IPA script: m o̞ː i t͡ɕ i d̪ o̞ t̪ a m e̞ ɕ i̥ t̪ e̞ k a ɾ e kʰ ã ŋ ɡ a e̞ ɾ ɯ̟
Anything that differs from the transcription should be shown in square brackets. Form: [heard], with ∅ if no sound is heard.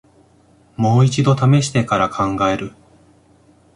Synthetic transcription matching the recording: m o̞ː i t͡ɕ i d̪ o̞ t̪ a m e̞ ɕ i̥ t̪ e̞ k a ɾ [a] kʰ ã ŋ ɡ a e̞ ɾ ɯ̟